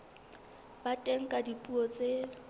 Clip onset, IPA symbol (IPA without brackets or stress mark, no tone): b